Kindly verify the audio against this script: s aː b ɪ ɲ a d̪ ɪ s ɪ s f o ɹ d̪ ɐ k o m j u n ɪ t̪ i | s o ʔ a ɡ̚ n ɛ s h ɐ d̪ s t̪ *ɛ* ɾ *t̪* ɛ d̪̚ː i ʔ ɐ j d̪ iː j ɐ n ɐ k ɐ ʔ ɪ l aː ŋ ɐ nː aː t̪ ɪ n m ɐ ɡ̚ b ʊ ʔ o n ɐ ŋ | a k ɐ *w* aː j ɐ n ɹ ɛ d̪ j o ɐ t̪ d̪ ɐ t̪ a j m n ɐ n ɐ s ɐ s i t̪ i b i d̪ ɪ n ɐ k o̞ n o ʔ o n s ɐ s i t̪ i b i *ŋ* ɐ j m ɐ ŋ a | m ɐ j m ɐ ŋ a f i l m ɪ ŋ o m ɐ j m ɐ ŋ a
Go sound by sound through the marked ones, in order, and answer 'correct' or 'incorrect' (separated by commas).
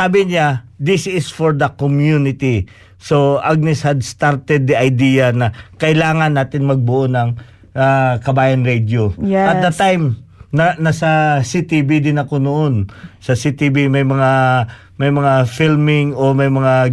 incorrect, correct, incorrect, incorrect